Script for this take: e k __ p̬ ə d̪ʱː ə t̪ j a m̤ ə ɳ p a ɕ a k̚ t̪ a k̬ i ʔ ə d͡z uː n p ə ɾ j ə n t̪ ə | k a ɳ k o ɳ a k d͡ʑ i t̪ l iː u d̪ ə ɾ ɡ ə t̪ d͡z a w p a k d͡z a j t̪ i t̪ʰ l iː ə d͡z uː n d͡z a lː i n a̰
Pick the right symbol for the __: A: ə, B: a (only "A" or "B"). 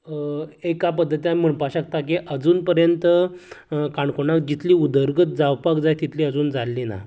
B